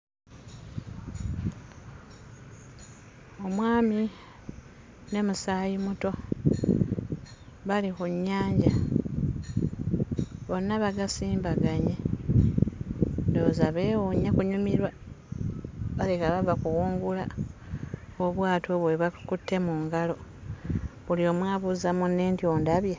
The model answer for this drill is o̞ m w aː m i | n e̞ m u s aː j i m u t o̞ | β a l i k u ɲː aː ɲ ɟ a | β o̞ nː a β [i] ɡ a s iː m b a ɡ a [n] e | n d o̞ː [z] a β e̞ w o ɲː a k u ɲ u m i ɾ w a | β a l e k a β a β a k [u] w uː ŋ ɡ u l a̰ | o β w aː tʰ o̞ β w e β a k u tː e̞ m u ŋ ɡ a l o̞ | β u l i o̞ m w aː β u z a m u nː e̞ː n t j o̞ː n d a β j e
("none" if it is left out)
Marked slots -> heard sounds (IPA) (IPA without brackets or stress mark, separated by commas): a, ɲ, z, u